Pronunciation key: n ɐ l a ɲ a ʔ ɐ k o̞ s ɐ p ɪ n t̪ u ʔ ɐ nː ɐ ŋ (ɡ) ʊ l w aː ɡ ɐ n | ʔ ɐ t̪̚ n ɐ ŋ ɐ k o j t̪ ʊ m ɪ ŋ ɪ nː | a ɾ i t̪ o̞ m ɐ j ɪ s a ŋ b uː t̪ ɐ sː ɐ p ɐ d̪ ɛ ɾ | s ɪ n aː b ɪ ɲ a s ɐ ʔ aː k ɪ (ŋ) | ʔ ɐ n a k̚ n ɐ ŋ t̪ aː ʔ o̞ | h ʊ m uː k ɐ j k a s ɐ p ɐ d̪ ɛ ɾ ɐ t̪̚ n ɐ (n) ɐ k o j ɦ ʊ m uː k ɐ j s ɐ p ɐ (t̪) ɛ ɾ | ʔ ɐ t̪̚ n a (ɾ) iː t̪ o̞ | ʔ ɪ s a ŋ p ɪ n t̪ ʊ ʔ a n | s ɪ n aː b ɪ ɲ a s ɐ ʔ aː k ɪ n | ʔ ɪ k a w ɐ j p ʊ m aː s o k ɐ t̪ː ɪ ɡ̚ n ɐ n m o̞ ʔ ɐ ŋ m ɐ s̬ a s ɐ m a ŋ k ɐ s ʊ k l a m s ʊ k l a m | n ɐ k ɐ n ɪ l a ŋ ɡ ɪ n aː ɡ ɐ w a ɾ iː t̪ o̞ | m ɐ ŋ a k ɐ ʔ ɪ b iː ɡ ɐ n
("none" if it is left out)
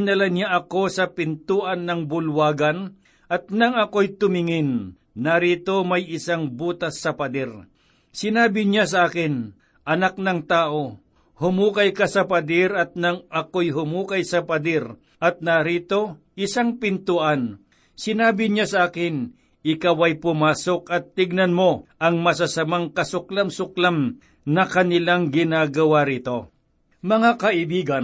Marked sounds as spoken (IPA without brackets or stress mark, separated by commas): b, n, ŋ, d̪, ɾ